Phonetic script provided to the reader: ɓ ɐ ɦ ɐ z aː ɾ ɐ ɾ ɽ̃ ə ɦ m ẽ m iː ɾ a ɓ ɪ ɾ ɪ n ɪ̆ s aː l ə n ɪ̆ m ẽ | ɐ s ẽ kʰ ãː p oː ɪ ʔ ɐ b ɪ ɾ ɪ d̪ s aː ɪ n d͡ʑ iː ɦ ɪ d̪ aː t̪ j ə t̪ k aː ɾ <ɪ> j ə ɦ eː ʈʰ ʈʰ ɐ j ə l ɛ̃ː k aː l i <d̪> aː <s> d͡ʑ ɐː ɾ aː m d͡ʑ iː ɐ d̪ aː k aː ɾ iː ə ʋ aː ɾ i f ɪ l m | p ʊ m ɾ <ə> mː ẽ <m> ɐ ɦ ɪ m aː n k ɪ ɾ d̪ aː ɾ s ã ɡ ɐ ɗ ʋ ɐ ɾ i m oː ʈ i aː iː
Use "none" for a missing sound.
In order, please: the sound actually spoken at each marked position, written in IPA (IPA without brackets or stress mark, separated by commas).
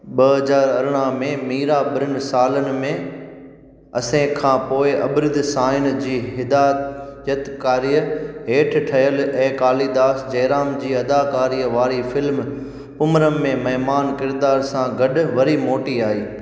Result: i, d̪, s, ə, m